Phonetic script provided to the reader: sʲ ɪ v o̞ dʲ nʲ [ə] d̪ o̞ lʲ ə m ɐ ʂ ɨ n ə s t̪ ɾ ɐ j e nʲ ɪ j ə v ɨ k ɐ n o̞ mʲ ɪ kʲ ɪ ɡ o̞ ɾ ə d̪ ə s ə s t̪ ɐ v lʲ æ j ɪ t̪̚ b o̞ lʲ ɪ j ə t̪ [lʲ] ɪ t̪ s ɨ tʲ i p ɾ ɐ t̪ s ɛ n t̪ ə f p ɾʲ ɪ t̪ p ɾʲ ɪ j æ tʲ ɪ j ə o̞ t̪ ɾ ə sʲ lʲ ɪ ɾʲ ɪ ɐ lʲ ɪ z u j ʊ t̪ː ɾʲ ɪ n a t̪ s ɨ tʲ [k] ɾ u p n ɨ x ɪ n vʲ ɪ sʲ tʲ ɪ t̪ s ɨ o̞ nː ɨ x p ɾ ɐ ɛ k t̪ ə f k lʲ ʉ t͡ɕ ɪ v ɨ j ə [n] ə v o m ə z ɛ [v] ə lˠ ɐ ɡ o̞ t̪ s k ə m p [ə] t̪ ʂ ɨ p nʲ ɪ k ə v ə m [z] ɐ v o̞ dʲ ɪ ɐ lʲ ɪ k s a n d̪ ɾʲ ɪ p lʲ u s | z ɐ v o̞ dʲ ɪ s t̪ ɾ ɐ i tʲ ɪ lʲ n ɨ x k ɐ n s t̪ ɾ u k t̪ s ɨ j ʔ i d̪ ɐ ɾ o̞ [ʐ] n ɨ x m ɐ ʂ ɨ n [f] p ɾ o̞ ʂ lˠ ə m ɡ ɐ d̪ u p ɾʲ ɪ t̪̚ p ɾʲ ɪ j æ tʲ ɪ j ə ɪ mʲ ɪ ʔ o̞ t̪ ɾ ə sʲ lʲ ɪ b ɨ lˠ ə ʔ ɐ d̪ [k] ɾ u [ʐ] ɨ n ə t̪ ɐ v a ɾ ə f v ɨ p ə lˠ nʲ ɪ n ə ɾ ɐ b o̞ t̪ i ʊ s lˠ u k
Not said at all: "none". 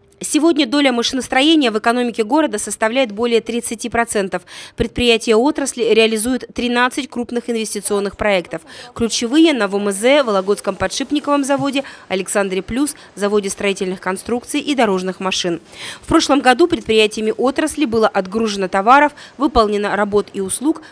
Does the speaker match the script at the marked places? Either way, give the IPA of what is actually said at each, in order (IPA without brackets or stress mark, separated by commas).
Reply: ə, ɾʲ, k, n, v, ɐ, z, ʐ, f, ɡ, ʐ